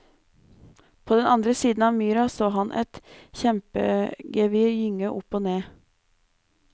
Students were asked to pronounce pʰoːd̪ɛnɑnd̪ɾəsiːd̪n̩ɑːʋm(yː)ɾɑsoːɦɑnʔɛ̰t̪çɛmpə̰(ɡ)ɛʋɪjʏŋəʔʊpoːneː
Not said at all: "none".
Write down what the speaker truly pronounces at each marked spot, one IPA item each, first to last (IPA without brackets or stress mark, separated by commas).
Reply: yː, ɡ